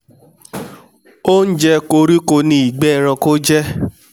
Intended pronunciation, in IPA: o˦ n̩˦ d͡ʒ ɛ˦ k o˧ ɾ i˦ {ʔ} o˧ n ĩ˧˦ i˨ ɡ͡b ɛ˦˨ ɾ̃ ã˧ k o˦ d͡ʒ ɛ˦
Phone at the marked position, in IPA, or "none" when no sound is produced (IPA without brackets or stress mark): k